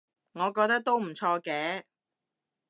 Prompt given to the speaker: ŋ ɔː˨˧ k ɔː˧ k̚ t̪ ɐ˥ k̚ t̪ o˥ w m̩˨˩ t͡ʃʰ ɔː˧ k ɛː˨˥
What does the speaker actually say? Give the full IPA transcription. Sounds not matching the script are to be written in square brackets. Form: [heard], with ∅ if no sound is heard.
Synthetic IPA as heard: ŋ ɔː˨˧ k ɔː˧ k̚ t̪ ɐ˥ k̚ t̪ o˥ w m̩˨˩ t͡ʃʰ ɔː˧ k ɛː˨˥